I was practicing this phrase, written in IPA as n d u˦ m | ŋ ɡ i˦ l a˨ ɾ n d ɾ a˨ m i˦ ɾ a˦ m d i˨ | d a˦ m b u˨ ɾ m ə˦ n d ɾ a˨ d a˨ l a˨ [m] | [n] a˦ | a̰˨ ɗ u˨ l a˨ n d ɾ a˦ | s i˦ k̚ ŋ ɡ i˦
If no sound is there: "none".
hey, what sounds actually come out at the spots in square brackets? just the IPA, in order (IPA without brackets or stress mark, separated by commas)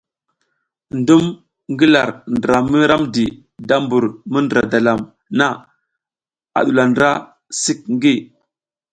m, n